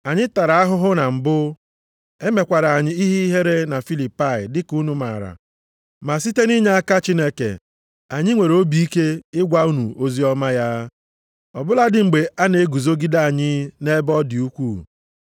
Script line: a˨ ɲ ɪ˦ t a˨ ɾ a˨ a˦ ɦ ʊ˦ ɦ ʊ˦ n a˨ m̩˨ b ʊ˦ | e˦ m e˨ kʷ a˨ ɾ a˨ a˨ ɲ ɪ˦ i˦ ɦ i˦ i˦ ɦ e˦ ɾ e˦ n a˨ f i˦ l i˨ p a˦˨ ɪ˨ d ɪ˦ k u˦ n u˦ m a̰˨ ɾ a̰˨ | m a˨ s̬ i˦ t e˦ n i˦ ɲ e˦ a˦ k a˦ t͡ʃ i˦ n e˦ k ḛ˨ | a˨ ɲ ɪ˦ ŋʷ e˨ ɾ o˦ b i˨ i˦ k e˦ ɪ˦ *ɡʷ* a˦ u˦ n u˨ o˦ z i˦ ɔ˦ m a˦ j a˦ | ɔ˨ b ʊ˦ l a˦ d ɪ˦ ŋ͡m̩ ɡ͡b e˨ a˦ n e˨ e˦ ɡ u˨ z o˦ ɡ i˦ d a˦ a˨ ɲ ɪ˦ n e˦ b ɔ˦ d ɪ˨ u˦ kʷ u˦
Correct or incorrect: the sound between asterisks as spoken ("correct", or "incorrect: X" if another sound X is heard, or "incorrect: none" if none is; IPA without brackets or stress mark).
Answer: correct